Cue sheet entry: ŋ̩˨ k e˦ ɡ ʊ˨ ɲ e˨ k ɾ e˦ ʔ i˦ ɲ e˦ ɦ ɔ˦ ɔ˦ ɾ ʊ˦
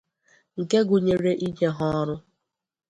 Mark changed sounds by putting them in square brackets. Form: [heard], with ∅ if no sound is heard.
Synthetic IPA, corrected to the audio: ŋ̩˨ k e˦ ɡ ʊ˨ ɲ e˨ [∅] ɾ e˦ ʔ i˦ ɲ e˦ ɦ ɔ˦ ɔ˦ ɾ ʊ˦